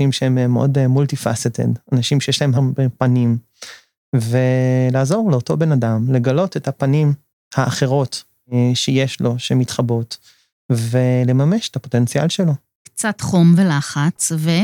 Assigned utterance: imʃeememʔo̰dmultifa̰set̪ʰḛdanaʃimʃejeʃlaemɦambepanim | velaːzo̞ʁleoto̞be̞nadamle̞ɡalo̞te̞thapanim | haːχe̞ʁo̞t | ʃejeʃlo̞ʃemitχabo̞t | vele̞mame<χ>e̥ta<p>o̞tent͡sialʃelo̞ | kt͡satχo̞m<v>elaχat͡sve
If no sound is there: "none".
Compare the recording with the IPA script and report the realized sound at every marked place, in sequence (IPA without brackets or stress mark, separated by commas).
ʃ, p, v